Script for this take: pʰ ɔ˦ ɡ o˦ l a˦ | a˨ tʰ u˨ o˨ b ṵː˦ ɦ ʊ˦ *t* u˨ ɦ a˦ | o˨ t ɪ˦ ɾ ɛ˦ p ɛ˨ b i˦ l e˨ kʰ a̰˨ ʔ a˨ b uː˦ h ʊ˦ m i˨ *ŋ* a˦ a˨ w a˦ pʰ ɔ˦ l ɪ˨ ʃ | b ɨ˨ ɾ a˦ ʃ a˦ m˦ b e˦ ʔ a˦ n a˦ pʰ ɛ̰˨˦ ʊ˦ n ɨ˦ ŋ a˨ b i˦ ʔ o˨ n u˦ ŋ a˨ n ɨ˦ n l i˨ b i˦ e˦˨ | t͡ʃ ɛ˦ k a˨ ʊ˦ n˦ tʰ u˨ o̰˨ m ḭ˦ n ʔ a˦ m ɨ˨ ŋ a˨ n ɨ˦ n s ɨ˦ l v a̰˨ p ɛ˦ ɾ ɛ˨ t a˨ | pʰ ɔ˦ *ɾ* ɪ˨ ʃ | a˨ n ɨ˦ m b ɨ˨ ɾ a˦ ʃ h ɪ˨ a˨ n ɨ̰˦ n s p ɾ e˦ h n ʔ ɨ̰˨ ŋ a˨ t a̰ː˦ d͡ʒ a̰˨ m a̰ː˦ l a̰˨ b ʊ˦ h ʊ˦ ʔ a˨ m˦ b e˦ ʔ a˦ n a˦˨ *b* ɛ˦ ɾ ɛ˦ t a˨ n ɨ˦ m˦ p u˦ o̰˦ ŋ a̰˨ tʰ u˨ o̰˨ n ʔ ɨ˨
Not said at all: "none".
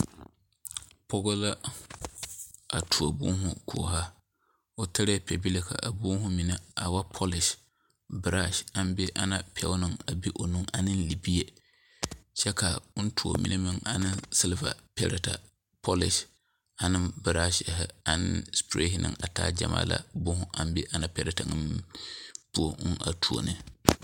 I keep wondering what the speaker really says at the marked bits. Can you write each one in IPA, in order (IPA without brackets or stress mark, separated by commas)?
k, n, l, p